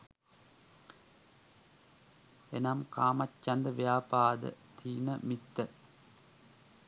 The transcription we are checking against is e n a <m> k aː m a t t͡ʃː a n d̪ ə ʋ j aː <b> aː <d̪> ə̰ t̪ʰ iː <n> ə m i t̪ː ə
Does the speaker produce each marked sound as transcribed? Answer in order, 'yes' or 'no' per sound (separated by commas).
yes, no, yes, yes